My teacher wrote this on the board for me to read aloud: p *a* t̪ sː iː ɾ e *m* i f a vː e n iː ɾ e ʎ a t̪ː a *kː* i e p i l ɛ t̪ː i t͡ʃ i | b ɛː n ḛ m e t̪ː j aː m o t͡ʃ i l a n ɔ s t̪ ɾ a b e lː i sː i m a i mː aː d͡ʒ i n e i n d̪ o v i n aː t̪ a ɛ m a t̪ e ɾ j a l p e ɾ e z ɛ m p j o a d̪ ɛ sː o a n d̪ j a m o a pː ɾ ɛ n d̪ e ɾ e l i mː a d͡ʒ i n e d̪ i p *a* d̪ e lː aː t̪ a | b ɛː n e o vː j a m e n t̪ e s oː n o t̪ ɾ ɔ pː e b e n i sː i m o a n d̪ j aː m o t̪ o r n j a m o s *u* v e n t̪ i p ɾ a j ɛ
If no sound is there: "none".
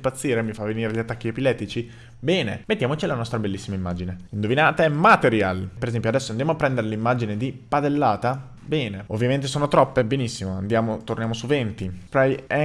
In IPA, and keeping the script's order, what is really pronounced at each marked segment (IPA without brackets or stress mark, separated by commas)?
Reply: a, m, kː, a, u